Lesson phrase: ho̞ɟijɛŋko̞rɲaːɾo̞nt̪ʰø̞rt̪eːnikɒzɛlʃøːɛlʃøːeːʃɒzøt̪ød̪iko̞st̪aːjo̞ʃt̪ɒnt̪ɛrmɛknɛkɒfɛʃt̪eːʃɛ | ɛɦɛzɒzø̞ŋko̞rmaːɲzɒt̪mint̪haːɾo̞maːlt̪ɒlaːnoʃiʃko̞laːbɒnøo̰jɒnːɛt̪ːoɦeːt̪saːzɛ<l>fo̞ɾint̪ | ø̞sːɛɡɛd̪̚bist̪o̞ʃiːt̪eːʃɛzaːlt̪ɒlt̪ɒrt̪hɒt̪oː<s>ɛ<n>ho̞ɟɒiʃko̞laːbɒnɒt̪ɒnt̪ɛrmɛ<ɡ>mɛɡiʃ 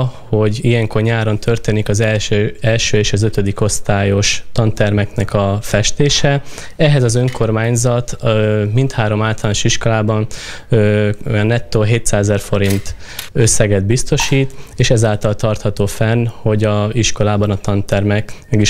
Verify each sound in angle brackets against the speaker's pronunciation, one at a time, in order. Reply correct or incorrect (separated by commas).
incorrect, incorrect, correct, incorrect